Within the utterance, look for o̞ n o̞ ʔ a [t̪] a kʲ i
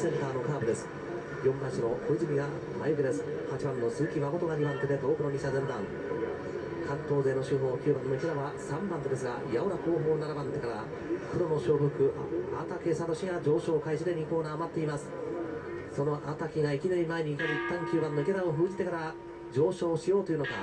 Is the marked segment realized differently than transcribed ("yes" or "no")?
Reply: no